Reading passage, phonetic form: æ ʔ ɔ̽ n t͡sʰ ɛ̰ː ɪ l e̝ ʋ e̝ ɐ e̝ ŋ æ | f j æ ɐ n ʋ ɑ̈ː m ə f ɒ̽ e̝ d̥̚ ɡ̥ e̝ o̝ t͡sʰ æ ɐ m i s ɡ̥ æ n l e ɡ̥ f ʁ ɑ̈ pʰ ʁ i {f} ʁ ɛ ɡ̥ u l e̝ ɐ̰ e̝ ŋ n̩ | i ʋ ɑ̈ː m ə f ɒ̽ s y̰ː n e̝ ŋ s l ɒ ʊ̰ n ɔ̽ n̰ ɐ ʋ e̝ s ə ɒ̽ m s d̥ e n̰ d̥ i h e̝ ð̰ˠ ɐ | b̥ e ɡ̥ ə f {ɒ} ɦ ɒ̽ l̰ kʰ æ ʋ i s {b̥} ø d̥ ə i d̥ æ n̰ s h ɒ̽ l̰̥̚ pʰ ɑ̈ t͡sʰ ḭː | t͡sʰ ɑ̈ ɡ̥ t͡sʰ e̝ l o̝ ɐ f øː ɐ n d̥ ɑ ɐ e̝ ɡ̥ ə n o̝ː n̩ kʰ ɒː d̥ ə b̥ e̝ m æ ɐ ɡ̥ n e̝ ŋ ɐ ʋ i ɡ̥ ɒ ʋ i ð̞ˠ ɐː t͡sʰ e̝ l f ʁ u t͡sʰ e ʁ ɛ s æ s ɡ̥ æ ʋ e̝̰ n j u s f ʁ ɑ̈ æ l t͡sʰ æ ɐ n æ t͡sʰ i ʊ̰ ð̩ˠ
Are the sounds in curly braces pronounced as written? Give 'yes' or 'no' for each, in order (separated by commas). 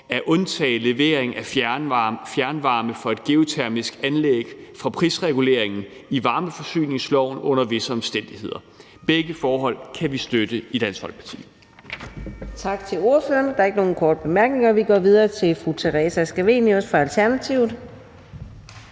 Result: no, no, no